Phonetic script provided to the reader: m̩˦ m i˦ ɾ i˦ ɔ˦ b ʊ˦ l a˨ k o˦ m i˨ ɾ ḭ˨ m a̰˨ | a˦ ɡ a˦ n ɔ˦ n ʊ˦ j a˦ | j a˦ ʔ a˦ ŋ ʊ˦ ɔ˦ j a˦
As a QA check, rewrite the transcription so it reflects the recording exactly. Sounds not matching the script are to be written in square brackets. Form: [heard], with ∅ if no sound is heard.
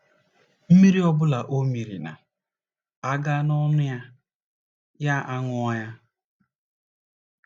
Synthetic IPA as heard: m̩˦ m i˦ ɾ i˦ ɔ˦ b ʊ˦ l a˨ [ʔ] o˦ m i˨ ɾ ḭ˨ [n] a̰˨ | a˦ ɡ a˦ n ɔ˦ n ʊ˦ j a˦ | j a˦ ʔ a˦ ŋ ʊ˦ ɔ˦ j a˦